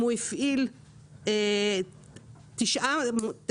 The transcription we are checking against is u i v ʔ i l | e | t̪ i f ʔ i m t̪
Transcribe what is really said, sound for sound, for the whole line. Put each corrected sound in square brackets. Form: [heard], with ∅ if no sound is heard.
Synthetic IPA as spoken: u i [f] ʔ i l | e | t̪ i [ʃ] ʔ [a] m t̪